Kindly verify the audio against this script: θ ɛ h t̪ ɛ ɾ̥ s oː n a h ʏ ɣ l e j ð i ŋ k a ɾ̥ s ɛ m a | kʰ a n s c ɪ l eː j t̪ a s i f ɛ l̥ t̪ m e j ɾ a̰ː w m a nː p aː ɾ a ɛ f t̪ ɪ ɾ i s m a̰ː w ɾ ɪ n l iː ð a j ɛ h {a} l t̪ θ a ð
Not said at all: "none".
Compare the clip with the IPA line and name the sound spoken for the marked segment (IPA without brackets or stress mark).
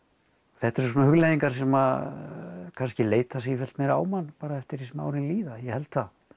ɛ